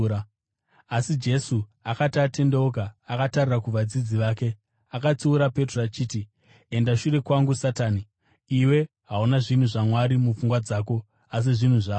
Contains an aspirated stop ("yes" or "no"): no